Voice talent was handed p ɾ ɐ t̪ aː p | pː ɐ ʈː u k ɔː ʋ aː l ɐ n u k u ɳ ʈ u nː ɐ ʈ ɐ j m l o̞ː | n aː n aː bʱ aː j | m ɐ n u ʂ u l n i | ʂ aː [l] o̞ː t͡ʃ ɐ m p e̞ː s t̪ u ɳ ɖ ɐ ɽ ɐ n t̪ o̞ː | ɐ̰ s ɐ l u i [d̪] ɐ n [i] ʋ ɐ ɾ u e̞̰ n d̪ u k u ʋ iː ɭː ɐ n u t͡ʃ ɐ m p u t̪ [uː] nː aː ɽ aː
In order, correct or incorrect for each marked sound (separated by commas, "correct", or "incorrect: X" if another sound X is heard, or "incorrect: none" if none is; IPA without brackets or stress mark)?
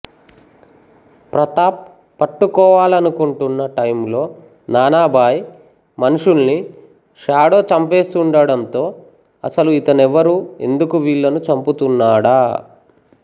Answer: incorrect: ɽ, incorrect: t̪, incorrect: ɛ, incorrect: u